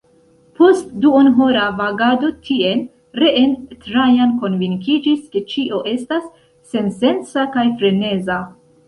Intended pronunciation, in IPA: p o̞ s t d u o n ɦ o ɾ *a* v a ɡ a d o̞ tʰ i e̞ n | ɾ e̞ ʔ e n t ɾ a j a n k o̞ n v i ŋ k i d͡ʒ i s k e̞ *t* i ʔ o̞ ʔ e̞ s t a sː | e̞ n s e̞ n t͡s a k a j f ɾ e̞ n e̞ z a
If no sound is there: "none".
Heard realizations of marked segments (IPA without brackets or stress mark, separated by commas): a, t͡ʃ